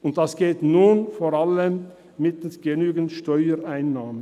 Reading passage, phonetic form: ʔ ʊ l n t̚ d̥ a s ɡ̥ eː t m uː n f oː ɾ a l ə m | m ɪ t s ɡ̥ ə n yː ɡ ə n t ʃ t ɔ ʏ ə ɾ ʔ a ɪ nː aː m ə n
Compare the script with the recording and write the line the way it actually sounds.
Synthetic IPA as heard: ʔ ʊ n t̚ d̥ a s ɡ̥ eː t n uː n f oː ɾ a l ə m | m ɪ t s ɡ̥ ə n yː ɡ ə n t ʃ t ɔ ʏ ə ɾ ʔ a ɪ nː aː m ə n